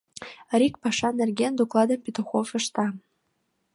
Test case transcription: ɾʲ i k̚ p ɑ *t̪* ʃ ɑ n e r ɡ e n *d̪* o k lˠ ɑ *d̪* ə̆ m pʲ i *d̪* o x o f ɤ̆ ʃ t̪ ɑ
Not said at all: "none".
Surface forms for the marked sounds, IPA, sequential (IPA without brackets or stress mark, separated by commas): none, d̪, d̪, t̪